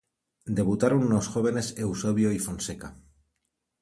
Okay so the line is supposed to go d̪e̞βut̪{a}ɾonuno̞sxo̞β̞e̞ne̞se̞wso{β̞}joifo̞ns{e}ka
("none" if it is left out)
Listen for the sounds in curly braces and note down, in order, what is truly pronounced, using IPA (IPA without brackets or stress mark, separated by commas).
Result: a, β̞, e